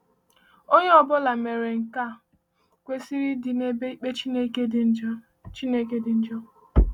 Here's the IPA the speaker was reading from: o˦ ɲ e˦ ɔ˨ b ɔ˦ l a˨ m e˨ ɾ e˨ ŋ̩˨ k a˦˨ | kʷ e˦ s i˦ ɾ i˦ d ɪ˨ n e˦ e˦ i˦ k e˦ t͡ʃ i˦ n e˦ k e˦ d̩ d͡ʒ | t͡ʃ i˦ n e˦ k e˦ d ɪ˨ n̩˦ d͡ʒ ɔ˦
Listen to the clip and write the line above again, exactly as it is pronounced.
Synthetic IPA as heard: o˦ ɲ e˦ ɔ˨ b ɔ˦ l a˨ m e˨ ɾ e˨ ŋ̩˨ k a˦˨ | kʷ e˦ s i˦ ɾ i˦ d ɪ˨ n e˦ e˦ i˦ k͡p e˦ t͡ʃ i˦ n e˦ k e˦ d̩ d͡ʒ | t͡ʃ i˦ n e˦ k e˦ d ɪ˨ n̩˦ d͡ʒ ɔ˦